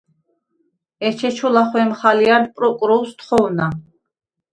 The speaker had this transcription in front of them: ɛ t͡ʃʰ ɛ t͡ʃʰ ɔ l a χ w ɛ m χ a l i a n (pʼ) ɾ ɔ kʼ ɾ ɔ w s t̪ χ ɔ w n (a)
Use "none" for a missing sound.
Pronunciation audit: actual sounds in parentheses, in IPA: pʼ, a

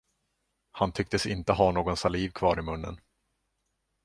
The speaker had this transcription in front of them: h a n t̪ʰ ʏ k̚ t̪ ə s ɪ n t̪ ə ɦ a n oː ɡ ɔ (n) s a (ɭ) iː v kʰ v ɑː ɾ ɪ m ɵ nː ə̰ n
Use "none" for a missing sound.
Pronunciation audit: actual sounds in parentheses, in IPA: n, l

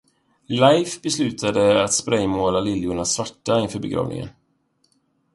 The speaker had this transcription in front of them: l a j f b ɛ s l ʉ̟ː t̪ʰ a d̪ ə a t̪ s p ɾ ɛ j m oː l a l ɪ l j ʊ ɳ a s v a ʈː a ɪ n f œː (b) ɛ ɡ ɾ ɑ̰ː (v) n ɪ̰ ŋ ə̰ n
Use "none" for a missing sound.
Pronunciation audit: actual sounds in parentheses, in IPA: b, v

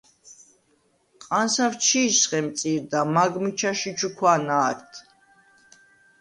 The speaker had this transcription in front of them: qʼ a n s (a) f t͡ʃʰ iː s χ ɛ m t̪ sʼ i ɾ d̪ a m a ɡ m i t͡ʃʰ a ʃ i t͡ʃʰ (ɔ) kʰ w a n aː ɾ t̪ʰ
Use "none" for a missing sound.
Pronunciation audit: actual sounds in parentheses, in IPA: a, u

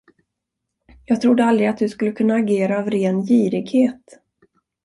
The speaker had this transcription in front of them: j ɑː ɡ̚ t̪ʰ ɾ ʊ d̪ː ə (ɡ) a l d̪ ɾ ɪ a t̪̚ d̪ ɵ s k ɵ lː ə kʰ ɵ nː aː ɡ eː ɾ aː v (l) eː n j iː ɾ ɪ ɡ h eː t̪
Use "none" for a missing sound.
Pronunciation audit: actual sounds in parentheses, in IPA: none, ɾ

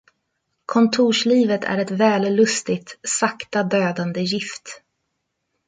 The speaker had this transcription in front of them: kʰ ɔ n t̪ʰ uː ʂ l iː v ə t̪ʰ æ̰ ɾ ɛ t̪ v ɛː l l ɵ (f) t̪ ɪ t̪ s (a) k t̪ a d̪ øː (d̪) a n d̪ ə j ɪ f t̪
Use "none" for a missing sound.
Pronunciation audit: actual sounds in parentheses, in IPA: s, a, d̪

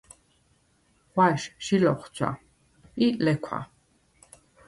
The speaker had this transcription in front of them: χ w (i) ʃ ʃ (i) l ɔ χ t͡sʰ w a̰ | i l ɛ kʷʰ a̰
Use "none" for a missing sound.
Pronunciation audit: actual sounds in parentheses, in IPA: a, i

